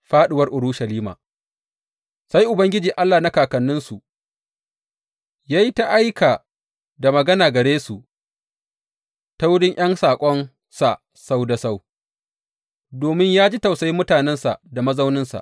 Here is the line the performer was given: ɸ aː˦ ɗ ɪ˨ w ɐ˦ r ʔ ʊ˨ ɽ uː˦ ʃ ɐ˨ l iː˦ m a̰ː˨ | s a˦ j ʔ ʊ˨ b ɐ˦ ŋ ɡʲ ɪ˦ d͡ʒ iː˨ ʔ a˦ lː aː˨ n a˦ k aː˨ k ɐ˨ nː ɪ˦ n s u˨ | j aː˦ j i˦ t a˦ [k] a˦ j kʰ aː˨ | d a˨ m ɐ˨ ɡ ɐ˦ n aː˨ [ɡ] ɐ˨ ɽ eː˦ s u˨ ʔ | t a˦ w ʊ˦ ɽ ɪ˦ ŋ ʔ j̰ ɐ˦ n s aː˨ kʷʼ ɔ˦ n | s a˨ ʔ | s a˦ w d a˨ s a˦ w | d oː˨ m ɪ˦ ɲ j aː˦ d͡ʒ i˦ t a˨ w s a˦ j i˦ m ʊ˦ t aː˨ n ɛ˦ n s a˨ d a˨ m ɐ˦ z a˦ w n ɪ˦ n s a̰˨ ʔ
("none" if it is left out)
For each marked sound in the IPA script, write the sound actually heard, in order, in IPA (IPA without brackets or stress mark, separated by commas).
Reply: ʔ, ɡ